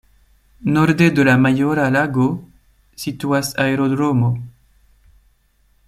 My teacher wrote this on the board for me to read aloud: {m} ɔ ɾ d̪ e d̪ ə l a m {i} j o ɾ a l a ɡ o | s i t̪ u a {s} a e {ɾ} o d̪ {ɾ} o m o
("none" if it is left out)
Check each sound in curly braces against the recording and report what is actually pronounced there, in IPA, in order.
n, a, s, ɾ, ɾ

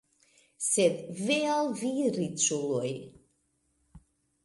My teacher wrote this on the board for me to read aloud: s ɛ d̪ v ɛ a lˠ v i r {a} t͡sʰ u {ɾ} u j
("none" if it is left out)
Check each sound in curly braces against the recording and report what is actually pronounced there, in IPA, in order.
i, l

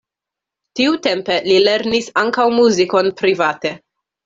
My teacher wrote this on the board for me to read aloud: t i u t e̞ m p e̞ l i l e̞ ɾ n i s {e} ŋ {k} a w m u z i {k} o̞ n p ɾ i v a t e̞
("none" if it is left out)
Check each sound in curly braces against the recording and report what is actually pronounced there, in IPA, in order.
a, k, k

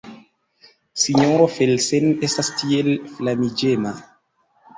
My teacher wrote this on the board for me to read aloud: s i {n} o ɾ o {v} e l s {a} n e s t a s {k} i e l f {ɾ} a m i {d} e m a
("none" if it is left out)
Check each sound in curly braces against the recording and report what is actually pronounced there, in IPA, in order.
ɲ, f, e, t, l, d͡ʒ

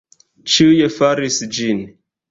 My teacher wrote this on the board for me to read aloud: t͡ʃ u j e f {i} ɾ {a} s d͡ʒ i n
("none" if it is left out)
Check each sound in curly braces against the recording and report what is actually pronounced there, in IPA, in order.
a, i

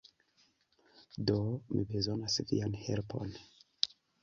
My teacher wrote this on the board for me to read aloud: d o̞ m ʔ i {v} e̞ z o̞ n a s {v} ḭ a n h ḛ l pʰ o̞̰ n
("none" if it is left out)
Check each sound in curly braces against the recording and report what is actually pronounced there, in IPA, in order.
b, v

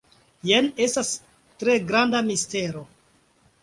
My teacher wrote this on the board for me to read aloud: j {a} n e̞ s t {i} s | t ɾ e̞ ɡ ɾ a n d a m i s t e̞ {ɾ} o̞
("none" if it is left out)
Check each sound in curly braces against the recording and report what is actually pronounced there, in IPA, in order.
e, a, ɾ

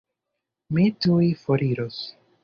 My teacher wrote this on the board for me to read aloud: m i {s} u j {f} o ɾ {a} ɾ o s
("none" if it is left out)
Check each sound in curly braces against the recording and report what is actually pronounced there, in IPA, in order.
t, f, i

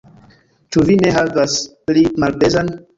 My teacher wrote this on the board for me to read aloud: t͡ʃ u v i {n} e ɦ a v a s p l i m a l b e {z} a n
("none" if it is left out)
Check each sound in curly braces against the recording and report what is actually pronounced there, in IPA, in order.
n, z

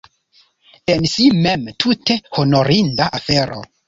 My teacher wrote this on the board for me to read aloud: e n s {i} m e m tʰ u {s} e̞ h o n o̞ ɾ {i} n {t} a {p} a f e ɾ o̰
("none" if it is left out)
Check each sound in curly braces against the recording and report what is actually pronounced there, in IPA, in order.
i, t, i, d, ʔ

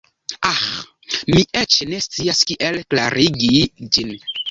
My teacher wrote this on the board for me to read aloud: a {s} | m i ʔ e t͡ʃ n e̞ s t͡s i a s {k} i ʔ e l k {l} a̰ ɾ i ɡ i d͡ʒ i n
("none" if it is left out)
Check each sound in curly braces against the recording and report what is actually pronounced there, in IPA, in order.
x, k, l

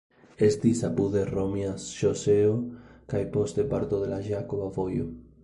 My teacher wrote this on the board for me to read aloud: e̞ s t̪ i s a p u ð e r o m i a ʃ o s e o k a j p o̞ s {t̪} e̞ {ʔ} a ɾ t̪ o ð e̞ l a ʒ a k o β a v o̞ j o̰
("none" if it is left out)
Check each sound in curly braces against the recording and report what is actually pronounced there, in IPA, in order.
t̪, p

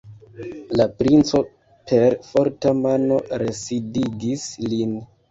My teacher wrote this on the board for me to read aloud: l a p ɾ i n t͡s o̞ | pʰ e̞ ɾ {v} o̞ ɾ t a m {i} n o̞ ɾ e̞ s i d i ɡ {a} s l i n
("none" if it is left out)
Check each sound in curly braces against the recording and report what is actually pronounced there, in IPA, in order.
f, a, i

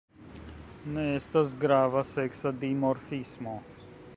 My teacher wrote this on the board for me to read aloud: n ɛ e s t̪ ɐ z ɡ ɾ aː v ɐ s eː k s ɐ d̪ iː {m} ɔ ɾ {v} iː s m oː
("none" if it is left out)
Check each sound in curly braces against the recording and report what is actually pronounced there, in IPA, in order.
m, f

